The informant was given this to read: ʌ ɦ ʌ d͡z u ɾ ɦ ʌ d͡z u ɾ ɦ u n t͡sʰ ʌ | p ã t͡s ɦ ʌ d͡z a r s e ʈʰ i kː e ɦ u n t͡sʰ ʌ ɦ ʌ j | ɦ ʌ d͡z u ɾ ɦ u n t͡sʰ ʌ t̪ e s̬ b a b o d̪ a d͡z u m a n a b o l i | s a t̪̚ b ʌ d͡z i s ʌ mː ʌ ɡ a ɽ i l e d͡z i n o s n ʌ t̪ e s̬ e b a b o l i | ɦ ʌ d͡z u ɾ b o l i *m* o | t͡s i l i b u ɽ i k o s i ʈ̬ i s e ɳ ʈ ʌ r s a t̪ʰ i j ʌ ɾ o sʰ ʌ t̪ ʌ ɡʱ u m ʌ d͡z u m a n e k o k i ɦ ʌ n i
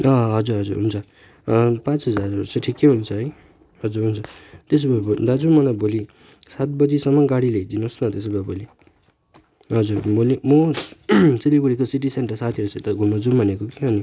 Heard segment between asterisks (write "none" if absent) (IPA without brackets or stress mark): m